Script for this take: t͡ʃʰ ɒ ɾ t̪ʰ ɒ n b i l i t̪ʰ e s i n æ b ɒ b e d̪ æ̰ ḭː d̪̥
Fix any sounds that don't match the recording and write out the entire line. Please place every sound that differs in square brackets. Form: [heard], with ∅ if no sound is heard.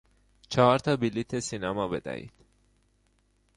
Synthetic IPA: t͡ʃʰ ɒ ɾ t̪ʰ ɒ [∅] b i l i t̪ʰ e s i n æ [m] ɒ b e d̪ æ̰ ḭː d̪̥